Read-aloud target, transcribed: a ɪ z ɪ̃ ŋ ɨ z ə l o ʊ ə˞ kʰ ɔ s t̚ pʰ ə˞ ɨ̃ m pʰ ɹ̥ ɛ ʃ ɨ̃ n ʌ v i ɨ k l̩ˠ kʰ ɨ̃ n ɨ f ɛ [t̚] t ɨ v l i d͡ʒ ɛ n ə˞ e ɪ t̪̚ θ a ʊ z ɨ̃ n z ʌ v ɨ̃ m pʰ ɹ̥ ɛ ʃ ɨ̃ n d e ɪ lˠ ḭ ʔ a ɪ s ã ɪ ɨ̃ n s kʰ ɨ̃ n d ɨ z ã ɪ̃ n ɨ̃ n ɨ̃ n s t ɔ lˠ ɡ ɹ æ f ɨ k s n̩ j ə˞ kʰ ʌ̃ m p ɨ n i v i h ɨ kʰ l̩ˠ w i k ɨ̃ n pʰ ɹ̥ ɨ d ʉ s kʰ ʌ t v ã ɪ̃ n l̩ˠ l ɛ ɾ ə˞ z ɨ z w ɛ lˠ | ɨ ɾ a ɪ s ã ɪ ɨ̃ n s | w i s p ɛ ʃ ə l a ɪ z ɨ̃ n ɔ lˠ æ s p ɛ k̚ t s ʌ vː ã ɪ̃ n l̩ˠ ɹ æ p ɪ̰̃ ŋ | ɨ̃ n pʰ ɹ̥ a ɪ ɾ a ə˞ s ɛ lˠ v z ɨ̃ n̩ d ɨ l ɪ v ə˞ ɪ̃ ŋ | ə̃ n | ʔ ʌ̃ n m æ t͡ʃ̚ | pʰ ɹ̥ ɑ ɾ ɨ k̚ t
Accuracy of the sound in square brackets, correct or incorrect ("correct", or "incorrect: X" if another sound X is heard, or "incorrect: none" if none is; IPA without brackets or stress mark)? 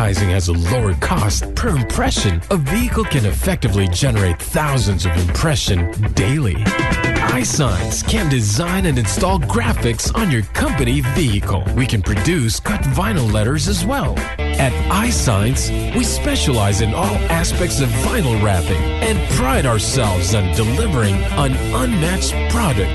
incorrect: k̚